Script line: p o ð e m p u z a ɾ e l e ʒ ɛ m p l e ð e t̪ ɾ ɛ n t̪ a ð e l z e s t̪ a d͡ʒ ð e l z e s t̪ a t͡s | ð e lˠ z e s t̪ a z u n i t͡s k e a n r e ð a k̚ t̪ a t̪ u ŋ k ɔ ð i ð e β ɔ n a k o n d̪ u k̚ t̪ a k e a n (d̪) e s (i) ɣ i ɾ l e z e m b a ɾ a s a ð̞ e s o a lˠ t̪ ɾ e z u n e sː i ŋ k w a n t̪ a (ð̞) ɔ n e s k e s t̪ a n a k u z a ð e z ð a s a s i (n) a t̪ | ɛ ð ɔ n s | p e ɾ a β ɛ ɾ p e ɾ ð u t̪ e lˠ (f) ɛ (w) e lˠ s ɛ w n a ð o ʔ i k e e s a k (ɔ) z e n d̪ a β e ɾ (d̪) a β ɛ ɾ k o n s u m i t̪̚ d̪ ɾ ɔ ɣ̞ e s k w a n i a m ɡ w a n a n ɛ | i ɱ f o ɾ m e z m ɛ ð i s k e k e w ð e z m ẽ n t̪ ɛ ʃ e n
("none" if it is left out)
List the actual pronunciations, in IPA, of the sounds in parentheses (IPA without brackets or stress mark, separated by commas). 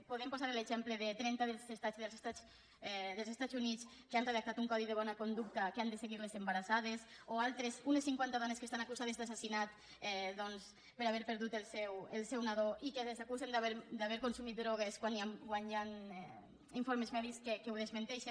d̪, e, ð̞, n, s, w, u, d̪